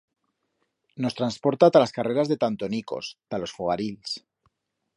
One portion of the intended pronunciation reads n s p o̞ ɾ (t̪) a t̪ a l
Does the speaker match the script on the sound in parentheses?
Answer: yes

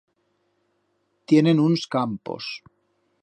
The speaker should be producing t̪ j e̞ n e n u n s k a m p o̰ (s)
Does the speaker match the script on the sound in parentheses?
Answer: yes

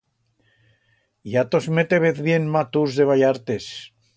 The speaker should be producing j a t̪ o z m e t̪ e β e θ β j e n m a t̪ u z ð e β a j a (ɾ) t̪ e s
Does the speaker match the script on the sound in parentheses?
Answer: yes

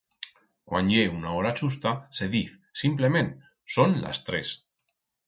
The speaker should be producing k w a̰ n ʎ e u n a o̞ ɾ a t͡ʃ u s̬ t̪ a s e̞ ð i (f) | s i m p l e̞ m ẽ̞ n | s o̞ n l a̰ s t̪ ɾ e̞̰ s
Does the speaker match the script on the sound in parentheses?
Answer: no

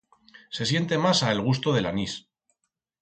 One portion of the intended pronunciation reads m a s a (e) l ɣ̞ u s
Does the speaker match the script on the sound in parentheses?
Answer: yes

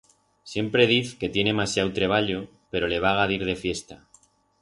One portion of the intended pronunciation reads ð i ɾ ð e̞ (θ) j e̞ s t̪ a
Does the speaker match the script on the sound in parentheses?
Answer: no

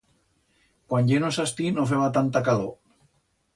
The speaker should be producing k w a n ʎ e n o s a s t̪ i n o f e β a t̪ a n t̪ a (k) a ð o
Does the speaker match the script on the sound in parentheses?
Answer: yes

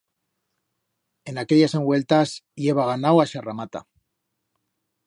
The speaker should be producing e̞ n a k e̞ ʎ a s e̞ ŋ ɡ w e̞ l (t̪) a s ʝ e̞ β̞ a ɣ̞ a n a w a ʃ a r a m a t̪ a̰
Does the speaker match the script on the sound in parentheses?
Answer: yes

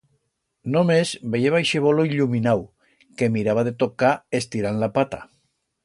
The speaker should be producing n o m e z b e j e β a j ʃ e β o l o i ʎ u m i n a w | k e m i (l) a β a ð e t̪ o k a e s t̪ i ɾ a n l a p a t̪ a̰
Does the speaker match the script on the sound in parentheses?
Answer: no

